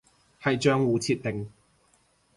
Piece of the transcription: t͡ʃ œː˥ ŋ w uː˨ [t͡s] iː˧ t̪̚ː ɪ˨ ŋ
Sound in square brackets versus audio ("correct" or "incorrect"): incorrect